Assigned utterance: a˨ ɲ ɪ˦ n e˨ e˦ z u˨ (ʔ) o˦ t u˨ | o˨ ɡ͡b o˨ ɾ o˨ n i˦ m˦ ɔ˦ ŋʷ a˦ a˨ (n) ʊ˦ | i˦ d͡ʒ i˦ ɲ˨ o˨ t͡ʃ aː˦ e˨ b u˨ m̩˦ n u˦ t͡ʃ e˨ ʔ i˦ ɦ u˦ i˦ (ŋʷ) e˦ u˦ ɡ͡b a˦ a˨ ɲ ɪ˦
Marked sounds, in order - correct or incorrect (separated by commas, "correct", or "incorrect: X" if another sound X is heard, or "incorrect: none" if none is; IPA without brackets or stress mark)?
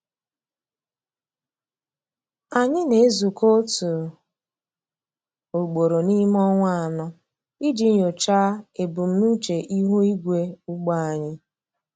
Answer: incorrect: k, correct, incorrect: ɡʷ